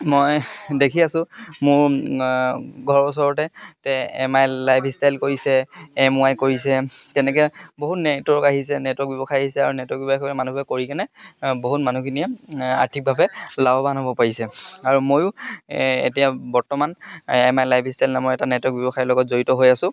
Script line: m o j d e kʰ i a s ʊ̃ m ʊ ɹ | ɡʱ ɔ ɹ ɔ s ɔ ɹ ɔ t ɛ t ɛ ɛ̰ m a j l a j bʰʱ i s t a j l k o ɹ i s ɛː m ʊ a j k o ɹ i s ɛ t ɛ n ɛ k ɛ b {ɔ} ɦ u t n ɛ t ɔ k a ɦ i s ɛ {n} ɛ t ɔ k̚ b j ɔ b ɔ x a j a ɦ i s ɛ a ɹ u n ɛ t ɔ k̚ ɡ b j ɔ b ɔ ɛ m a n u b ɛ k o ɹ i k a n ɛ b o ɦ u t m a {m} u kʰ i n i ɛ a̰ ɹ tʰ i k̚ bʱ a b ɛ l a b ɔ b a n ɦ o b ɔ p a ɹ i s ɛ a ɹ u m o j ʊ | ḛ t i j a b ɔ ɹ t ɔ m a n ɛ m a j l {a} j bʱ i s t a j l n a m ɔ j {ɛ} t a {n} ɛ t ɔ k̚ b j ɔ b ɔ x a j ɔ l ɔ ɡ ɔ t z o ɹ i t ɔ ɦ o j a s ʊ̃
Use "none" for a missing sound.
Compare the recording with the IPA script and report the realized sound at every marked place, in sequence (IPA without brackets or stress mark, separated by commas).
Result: o, n, n, a, ɛ, n